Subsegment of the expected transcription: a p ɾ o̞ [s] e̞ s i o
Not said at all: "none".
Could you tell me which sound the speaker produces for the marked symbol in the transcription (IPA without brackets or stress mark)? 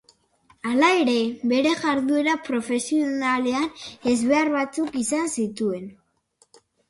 f